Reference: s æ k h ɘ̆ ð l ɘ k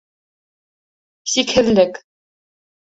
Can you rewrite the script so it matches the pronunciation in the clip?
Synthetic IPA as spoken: s i k h ɘ̆ ð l ɘ k